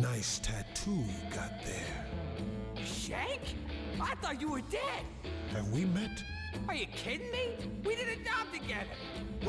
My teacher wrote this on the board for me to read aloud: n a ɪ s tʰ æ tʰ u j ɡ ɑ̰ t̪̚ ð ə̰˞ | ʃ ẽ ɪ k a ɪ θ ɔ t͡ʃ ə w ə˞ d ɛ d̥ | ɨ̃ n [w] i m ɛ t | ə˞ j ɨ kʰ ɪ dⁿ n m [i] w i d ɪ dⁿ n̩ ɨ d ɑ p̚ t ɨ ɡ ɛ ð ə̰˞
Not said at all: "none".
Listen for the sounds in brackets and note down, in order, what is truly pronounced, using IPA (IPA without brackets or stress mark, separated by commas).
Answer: w, i